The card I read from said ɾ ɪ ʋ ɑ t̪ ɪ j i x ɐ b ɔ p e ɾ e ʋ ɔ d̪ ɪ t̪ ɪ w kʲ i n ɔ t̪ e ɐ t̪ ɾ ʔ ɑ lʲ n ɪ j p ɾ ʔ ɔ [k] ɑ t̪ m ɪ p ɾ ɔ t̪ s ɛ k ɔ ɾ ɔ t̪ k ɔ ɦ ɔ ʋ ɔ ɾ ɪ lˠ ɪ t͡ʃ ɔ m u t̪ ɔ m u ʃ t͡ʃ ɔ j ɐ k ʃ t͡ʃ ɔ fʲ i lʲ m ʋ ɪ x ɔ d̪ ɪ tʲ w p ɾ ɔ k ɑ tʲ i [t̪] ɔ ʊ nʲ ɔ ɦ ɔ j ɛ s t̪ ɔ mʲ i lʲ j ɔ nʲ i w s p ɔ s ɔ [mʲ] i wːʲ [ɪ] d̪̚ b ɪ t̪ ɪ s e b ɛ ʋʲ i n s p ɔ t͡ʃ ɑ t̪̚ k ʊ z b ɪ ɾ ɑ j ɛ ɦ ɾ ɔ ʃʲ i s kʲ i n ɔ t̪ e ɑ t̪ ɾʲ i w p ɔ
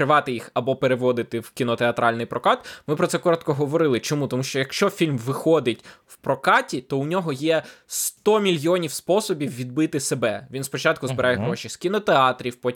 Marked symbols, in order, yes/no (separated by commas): yes, yes, no, no